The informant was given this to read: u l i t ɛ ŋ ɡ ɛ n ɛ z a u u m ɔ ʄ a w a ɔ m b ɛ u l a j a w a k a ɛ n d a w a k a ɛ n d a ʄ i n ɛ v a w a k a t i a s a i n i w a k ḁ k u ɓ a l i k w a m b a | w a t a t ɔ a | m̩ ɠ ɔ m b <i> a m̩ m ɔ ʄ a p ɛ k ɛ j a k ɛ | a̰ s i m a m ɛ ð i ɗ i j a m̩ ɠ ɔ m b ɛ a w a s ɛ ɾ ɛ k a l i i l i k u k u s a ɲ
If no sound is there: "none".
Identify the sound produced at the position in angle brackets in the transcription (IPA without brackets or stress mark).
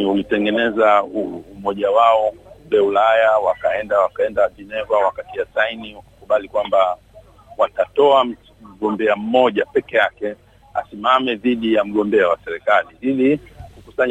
ɛ